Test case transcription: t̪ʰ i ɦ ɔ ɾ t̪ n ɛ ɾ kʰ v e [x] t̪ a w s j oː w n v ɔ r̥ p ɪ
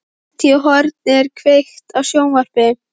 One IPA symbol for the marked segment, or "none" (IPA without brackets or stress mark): x